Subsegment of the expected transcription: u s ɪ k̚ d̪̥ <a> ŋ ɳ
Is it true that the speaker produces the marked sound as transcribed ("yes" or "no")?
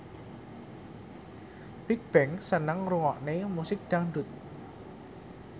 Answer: yes